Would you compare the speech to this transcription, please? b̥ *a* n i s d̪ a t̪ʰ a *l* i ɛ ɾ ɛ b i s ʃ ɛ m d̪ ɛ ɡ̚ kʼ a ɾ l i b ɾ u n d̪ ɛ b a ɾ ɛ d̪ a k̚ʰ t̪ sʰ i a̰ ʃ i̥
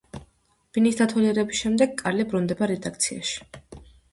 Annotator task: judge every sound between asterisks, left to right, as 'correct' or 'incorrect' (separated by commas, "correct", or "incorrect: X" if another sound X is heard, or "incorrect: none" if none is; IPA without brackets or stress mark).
incorrect: i, correct